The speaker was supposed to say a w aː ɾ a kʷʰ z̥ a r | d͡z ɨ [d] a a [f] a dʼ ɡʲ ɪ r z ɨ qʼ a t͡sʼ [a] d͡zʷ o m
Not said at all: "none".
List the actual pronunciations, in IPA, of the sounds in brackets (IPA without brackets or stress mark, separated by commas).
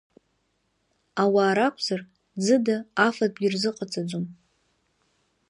d, f, a